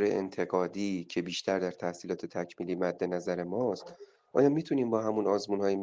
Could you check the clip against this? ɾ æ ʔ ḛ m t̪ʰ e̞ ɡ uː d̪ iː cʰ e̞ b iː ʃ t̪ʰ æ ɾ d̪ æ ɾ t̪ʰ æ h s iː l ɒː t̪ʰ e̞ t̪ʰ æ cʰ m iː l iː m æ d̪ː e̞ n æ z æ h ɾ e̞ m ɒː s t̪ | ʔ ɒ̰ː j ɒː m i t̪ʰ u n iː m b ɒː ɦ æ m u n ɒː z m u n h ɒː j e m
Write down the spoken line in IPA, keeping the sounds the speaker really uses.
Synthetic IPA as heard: ɾ e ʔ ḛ n t̪ʰ e̞ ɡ ɒː d̪ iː cʰ e̞ b iː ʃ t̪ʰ æ ɾ d̪ æ ɾ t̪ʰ æ h s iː l ɒː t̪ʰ e̞ t̪ʰ æ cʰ m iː l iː m æ d̪ː e̞ n æ z æ ɾ e̞ m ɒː s t̪ | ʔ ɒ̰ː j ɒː m i t̪ʰ u n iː m b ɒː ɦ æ m u n ɒː z m u n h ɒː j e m